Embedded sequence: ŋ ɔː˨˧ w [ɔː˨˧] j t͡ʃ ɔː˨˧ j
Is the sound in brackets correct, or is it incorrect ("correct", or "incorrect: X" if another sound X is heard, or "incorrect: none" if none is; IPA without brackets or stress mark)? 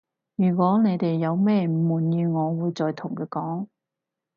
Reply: incorrect: uː˨˧